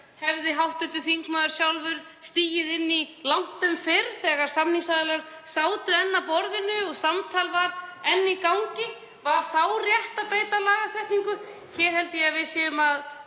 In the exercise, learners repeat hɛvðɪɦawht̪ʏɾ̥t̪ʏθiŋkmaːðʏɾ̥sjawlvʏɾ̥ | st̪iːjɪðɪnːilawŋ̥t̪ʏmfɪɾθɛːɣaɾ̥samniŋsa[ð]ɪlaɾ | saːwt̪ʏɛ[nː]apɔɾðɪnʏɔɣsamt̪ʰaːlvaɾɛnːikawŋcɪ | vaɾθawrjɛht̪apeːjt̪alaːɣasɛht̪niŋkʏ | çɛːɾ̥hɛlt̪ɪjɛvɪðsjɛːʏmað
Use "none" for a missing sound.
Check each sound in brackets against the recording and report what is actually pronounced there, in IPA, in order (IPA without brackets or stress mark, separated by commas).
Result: ð, nː